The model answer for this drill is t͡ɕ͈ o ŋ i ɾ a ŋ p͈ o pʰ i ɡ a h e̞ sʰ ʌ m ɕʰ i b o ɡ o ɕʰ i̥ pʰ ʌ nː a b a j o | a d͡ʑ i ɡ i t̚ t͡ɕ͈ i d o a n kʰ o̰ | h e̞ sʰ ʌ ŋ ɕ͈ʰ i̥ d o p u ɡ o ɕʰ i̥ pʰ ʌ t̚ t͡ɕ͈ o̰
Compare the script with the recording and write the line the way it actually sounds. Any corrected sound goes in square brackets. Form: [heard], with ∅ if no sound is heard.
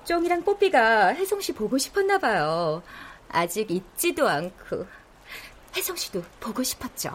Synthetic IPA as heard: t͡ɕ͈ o ŋ i ɾ a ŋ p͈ o pʰ i ɡ a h e̞ sʰ ʌ [ŋ] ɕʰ i [p] o ɡ o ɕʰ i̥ pʰ ʌ nː a b a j o | a d͡ʑ i ɡ i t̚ t͡ɕ͈ i d o a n kʰ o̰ | h e̞ sʰ ʌ ŋ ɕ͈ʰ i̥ d o p [o] ɡ o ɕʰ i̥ pʰ ʌ t̚ t͡ɕ͈ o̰